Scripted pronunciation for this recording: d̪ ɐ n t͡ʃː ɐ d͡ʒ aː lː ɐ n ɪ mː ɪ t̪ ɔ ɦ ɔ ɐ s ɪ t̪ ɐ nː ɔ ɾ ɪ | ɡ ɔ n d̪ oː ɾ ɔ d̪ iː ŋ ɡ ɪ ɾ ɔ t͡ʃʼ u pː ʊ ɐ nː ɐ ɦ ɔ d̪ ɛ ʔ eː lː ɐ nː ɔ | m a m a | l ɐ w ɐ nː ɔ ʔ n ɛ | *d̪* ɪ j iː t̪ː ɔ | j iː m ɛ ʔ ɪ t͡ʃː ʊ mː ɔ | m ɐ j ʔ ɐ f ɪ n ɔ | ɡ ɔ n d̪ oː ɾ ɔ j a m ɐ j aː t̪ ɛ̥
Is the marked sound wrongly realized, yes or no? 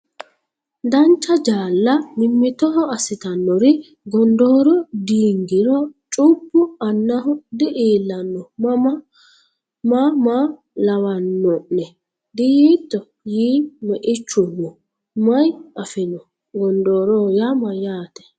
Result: no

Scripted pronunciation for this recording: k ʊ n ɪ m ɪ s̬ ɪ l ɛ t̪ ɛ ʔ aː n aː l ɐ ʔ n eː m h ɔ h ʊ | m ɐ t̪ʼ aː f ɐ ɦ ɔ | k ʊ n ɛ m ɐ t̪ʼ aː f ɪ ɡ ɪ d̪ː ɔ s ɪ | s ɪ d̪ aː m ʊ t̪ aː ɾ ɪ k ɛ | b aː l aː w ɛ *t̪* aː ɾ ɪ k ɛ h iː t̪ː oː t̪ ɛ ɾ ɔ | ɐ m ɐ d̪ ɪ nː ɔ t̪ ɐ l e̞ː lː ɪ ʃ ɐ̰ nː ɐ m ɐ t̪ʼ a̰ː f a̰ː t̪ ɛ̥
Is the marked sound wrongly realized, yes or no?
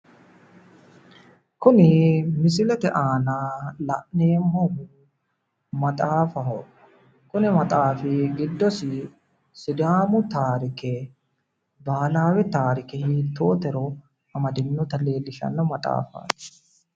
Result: no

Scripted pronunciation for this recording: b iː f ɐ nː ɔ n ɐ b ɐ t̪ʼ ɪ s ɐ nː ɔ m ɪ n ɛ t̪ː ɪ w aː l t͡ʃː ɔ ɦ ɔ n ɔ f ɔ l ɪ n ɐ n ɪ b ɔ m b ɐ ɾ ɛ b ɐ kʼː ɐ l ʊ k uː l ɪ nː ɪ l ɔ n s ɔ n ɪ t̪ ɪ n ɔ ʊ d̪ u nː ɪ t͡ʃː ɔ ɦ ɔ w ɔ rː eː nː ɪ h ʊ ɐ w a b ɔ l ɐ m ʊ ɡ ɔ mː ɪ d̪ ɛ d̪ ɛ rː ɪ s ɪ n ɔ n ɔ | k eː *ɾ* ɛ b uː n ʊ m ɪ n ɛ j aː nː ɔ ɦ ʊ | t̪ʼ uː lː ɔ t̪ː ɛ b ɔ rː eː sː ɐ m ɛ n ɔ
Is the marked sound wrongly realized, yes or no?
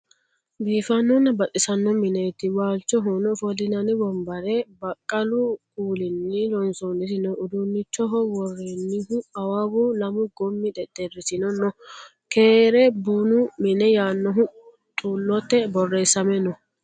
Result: no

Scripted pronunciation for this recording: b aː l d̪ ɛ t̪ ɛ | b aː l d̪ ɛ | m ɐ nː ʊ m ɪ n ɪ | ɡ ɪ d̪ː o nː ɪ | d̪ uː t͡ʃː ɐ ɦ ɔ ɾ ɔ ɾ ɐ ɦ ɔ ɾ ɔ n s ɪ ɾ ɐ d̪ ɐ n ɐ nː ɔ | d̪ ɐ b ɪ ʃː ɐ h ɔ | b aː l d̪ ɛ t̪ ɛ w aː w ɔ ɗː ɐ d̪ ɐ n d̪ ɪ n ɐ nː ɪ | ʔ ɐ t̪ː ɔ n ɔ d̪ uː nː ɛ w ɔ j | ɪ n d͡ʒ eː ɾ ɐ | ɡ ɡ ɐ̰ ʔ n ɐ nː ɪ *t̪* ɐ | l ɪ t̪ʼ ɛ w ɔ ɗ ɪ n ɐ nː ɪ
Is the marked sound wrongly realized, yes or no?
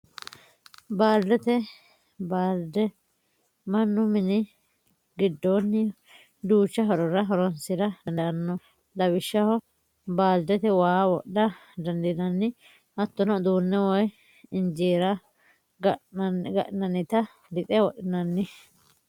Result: no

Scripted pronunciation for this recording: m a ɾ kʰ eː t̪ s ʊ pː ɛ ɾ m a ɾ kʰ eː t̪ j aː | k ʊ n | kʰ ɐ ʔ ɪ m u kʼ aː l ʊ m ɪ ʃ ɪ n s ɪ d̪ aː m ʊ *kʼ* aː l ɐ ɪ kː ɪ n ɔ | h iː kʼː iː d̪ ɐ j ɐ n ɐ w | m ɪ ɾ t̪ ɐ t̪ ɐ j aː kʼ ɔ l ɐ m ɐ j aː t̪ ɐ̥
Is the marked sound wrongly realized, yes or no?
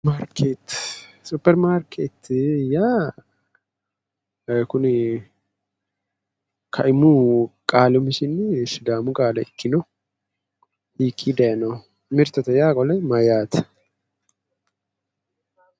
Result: no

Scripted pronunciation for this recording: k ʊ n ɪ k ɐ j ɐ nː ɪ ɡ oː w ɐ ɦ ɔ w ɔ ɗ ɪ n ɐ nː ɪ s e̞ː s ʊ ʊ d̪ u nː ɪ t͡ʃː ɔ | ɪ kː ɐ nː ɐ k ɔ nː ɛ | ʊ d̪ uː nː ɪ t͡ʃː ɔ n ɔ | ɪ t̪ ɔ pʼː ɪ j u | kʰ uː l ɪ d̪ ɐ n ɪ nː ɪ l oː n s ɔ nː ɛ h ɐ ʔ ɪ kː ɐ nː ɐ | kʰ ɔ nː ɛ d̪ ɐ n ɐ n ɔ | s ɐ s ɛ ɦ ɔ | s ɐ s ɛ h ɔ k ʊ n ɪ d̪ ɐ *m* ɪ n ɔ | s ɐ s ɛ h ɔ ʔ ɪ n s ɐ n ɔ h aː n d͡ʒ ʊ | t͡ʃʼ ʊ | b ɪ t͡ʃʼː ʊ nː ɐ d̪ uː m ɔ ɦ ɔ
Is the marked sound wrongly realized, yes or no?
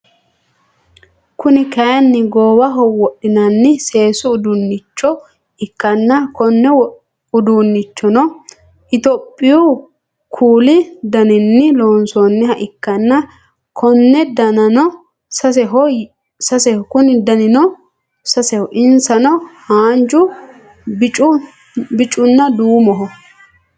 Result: yes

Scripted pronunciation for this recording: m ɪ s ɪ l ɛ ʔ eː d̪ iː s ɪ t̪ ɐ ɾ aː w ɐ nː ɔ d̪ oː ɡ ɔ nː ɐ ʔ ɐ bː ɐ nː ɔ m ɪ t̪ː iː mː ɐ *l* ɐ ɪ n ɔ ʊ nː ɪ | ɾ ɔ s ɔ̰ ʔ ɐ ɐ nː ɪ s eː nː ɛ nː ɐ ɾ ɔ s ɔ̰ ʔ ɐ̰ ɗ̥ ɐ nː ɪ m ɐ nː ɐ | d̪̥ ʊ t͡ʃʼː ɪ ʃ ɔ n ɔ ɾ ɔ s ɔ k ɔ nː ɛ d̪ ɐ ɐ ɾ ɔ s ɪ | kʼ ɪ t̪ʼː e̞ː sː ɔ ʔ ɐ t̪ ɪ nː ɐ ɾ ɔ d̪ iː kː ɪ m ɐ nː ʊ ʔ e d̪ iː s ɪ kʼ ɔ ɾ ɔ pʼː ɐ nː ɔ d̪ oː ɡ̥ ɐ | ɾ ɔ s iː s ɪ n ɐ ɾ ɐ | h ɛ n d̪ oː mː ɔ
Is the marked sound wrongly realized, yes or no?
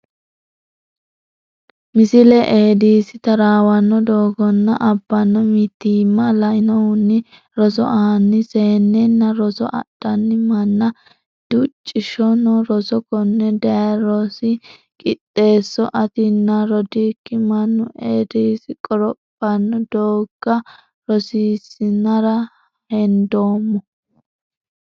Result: no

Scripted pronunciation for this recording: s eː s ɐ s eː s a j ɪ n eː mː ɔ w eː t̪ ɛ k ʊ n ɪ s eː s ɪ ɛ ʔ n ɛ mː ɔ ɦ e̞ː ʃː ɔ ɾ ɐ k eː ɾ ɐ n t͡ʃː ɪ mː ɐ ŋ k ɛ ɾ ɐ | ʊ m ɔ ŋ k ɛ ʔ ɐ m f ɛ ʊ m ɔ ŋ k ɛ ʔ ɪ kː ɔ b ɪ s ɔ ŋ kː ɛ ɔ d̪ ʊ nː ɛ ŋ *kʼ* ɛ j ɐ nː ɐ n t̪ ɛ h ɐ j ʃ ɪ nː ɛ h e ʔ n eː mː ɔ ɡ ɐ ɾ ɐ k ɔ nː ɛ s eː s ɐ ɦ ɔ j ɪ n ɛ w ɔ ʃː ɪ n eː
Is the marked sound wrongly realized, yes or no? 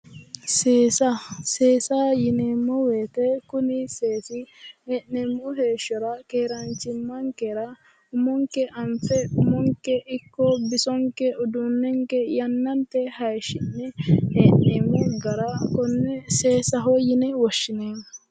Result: yes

